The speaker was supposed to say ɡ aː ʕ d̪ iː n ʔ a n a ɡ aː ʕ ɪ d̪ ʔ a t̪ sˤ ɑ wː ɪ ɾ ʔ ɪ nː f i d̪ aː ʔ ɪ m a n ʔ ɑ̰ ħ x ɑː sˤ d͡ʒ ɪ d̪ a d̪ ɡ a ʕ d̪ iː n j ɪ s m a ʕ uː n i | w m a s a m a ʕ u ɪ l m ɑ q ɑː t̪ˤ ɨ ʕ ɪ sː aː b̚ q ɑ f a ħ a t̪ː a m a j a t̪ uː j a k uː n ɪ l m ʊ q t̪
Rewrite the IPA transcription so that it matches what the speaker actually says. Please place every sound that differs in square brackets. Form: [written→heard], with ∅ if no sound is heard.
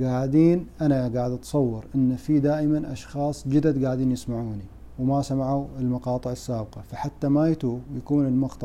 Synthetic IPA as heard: ɡ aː ʕ d̪ iː n ʔ a n a ɡ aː ʕ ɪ d̪ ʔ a t̪ sˤ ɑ wː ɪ ɾ ʔ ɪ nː f i d̪ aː ʔ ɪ m a n ʔ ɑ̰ [ħ→ʃ] x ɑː sˤ d͡ʒ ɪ d̪ a d̪ ɡ a ʕ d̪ iː n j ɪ s m a ʕ uː n i | w m a s a m a ʕ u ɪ l m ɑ q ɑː t̪ˤ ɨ ʕ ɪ sː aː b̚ q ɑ f a ħ a t̪ː a m a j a t̪ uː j a k uː n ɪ l m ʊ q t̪